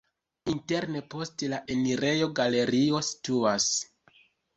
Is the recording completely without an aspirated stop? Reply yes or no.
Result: yes